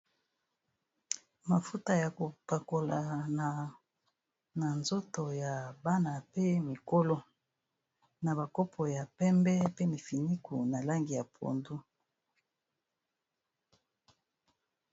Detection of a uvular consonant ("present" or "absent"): absent